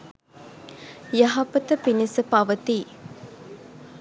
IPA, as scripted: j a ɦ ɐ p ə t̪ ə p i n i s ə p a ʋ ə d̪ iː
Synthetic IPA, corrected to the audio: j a ɦ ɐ p ə t̪ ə p i n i s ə p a ʋ ə t̪ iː